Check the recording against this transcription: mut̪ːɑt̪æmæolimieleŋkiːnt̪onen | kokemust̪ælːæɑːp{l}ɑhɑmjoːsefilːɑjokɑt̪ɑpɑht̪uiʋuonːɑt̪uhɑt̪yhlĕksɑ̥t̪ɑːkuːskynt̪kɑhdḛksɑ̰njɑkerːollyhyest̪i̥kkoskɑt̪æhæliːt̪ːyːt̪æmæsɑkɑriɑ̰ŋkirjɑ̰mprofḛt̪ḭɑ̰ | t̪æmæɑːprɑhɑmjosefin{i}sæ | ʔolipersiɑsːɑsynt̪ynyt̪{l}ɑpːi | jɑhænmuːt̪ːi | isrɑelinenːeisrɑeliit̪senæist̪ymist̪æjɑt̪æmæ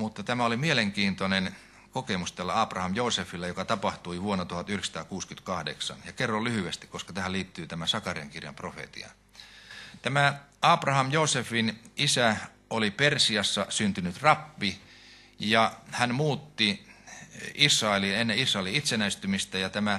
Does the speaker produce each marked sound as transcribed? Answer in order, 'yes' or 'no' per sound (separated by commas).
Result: no, yes, no